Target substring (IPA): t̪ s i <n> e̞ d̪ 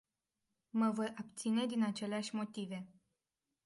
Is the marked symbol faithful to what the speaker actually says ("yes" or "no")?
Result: yes